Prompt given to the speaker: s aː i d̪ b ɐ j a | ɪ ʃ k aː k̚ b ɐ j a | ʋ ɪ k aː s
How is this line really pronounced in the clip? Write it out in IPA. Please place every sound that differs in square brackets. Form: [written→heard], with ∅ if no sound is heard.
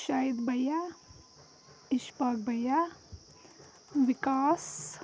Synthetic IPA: [s→ʃ] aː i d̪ b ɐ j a | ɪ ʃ [k→p] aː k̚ b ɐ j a | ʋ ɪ k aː s